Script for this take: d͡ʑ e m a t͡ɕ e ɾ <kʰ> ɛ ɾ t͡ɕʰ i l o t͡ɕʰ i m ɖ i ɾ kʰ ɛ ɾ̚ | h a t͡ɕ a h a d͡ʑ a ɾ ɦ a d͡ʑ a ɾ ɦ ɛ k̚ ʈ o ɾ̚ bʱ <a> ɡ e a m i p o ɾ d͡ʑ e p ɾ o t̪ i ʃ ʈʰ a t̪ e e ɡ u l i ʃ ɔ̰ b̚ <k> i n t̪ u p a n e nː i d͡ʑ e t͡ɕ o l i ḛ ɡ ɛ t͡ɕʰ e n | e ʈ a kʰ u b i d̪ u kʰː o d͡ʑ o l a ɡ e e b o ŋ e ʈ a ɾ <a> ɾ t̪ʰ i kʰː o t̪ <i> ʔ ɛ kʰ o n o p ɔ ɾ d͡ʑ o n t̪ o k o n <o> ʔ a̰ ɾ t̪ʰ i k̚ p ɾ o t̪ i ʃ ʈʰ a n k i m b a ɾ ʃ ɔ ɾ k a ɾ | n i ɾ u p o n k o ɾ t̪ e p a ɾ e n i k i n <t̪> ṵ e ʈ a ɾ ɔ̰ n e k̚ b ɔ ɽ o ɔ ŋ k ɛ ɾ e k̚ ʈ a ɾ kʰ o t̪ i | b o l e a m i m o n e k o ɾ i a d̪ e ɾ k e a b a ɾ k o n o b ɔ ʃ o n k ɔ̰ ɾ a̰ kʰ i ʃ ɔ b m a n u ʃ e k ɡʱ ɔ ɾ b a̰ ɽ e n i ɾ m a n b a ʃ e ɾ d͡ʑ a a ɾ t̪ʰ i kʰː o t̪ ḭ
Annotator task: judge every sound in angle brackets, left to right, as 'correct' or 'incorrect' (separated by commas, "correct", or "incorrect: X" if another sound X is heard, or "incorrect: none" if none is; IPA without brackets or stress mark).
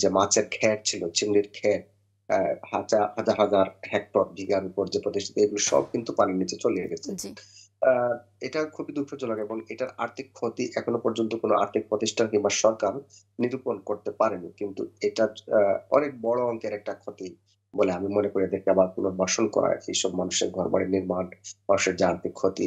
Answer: correct, incorrect: i, correct, correct, correct, correct, correct